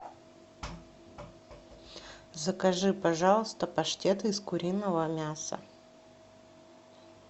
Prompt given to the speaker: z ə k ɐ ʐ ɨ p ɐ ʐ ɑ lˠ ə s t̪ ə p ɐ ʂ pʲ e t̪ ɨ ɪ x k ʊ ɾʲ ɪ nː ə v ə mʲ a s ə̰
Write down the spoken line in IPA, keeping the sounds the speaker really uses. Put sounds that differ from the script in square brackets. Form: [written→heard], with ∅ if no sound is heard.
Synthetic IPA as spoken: z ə k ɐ ʐ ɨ p ɐ ʐ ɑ lˠ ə s t̪ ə p ɐ ʂ [pʲ→tʲ] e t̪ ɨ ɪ [x→s] k ʊ ɾʲ [ɪ→i] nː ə v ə mʲ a s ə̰